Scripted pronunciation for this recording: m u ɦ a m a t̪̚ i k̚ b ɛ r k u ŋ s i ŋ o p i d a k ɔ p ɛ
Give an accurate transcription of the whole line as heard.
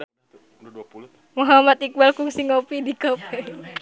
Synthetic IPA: m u ɦ a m a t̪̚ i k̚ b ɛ l k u ŋ s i ŋ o p i d i k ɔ p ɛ